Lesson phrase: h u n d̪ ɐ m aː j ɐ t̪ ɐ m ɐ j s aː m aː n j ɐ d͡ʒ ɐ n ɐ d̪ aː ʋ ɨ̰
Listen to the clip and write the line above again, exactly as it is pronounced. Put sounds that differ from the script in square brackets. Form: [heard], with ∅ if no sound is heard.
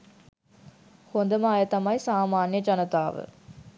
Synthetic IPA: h [o] n d̪ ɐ m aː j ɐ t̪ ɐ m ɐ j s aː m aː n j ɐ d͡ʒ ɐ n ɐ [t̪] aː ʋ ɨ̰